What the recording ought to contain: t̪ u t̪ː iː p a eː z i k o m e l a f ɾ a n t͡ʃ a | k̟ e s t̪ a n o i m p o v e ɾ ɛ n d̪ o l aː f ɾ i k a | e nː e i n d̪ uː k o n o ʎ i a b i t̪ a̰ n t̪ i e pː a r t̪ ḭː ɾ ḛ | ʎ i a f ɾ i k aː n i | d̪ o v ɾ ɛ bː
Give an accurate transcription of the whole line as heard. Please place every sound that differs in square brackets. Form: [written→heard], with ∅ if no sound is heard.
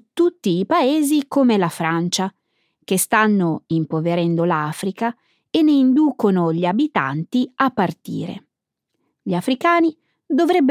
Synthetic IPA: t̪ u t̪ː iː p a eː z i k o m e l a f ɾ a n t͡ʃ a | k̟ e s t̪ a [n→nː] o i m p o v e ɾ ɛ n d̪ o l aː f ɾ i k a | e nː e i n d̪ uː k o n o ʎ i a b i t̪ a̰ n t̪ i [e→a] pː a r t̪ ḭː ɾ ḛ | ʎ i a f ɾ i k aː n i | d̪ o v ɾ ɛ bː